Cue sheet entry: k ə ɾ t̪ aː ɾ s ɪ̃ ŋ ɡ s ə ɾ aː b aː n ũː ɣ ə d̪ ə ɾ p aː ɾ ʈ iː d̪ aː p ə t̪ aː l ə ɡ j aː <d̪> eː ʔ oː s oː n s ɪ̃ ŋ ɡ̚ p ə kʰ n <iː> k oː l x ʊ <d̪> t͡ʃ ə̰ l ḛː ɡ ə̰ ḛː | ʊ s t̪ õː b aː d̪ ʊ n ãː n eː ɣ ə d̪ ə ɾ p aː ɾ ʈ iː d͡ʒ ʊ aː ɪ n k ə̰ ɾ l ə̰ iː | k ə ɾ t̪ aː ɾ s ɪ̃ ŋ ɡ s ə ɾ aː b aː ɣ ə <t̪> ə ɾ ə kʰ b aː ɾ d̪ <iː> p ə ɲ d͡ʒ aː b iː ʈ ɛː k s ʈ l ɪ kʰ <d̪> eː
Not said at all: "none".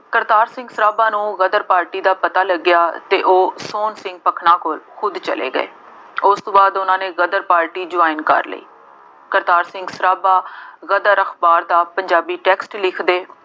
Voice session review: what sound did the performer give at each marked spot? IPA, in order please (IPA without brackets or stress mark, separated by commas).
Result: t̪, aː, d̪, d̪, aː, d̪